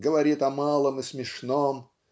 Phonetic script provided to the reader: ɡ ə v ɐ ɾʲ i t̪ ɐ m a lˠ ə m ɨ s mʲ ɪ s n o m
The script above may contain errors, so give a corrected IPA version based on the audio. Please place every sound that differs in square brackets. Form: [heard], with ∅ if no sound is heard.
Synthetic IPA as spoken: ɡ ə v ɐ ɾʲ i t̪ ɐ m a lˠ ə m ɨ s mʲ ɪ [ʂ] n o m